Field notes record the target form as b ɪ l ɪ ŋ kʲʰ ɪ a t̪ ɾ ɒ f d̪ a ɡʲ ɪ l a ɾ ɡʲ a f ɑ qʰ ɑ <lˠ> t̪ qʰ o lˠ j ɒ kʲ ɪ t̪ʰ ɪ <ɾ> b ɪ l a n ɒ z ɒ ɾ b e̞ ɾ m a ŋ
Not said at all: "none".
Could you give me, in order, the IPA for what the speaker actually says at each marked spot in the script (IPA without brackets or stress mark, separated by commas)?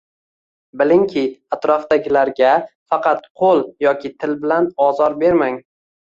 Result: none, l